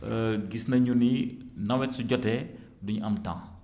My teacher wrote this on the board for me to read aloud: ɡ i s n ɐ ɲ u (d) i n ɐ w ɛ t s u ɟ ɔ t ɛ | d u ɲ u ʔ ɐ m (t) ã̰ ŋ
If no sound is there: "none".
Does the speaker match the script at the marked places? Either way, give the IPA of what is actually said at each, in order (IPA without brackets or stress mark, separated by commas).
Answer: n, t